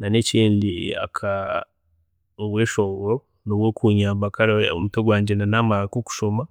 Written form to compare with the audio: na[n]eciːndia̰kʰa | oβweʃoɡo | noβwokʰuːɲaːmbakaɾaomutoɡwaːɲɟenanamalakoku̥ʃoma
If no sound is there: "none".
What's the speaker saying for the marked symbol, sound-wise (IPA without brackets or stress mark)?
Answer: n